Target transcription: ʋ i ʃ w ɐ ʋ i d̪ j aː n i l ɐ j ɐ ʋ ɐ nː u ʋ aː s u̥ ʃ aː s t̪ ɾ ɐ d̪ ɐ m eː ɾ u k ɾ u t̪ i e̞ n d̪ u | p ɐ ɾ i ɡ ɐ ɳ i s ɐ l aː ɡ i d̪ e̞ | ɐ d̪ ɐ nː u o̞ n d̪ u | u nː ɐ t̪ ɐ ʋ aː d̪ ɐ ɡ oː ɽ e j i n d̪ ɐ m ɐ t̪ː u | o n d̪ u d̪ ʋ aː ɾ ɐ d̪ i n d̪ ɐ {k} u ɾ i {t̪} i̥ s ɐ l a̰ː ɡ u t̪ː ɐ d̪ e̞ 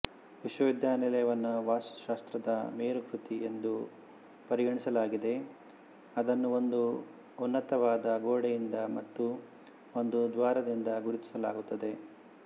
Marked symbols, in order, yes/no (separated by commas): no, yes